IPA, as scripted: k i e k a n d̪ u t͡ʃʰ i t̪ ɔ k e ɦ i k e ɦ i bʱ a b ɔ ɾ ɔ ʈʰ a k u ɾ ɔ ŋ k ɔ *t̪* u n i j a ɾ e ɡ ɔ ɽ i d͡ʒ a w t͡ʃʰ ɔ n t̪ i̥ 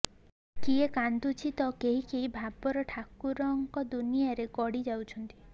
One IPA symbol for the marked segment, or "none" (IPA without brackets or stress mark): d̪